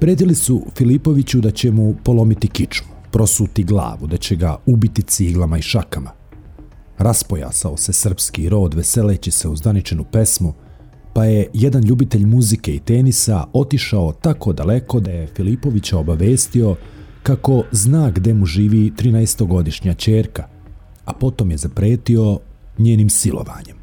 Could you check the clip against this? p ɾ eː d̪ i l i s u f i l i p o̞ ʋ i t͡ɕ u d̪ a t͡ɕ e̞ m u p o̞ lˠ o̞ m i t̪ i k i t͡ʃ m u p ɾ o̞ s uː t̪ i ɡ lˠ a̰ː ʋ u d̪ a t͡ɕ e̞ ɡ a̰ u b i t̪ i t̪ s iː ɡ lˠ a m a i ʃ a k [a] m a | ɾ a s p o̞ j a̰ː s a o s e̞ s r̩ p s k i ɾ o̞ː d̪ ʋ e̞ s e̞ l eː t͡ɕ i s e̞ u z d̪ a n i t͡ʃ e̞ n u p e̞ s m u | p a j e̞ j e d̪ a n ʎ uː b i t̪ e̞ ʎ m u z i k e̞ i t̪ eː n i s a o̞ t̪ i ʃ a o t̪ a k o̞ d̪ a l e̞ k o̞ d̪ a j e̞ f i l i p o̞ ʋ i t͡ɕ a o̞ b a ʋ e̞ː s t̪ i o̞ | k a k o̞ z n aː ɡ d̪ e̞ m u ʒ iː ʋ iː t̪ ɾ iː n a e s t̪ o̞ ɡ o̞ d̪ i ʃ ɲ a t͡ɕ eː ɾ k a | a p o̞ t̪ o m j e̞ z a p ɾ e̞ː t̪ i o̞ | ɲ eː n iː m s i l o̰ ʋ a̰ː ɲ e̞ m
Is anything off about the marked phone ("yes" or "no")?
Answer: no